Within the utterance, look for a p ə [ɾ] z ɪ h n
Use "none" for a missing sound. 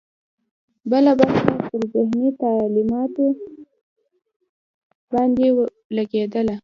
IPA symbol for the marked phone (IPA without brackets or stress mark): ɾ